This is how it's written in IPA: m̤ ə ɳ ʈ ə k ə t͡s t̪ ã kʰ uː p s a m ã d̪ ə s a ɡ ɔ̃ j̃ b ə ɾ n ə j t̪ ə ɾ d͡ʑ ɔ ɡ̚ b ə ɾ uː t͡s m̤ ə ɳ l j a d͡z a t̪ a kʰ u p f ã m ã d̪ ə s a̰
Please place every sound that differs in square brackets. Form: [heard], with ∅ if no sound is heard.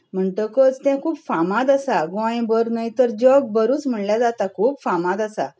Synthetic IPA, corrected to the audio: m̤ ə ɳ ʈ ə k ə t͡s t̪ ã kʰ uː p [f] a m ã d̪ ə s a ɡ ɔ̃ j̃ b ə ɾ n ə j t̪ ə ɾ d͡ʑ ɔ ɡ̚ b ə ɾ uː t͡s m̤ ə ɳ l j a d͡z a t̪ a kʰ [uː] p f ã m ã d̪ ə s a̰